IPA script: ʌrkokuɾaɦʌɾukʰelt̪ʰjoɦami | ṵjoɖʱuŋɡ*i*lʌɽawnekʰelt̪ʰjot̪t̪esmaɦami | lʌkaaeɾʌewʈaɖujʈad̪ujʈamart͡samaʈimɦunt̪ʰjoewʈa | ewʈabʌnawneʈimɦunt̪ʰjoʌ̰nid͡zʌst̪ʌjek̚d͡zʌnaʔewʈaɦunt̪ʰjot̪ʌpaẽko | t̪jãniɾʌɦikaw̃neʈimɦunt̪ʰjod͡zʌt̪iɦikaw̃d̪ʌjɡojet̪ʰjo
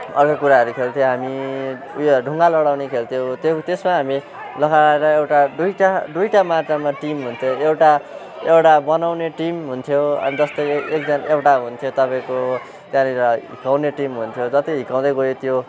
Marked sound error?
yes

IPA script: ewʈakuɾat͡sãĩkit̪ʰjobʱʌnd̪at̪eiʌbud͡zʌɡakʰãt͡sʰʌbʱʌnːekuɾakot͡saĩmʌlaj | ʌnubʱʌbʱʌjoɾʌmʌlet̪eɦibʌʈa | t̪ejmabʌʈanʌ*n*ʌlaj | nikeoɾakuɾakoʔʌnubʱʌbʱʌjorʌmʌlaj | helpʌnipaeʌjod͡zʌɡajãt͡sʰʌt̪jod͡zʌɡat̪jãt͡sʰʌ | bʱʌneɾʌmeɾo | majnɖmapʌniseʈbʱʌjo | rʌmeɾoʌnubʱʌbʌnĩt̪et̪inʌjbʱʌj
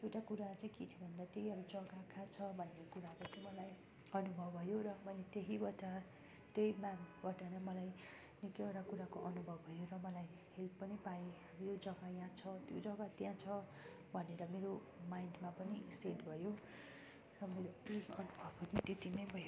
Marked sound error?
yes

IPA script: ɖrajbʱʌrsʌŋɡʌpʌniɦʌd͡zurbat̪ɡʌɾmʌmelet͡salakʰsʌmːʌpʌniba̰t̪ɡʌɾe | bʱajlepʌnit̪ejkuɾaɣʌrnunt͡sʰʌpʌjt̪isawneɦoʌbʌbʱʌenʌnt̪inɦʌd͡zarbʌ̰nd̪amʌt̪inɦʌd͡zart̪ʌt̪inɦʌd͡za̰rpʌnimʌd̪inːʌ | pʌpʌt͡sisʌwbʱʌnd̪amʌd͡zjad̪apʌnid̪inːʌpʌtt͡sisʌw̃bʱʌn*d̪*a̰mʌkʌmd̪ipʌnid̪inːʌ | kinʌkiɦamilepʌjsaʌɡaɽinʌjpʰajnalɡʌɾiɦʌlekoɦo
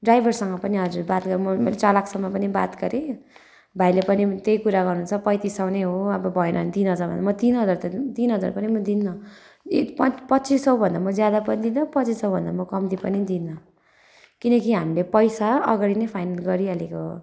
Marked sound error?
no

